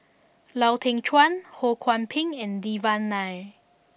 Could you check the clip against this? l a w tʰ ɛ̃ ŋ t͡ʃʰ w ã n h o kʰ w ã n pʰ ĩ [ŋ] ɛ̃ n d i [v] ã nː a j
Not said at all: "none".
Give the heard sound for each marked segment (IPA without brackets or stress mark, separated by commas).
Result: ŋ, v